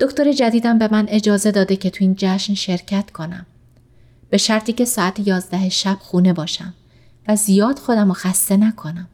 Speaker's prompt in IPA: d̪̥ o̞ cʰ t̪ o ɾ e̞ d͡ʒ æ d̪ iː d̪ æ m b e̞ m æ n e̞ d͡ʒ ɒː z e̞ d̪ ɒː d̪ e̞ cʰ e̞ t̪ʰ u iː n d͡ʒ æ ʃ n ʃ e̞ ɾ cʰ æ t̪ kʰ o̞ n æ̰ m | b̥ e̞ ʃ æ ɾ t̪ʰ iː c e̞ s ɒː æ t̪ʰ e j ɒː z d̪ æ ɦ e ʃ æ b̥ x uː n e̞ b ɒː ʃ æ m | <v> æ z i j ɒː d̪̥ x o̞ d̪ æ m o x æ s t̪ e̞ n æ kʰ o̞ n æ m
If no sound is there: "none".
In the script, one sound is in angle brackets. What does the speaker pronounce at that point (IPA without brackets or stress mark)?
v